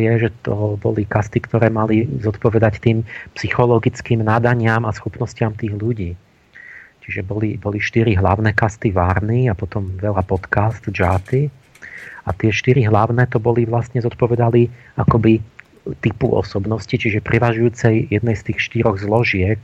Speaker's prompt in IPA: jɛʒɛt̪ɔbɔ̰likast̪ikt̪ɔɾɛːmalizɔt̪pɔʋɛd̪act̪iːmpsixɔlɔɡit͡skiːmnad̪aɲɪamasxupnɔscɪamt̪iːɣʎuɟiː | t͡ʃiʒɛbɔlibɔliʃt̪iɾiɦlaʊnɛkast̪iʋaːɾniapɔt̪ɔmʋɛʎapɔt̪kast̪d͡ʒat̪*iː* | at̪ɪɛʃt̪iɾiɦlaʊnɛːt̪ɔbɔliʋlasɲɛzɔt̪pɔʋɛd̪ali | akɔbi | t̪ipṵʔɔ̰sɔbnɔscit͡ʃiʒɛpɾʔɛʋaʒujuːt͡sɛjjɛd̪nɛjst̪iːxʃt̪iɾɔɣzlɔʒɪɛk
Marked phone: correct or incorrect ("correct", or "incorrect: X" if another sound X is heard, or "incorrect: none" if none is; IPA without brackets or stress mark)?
incorrect: i